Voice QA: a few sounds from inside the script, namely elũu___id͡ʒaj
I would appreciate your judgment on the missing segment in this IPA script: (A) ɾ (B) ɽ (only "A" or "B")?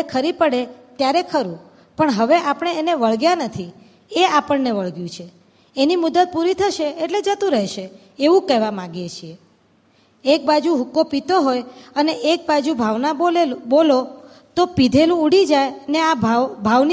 B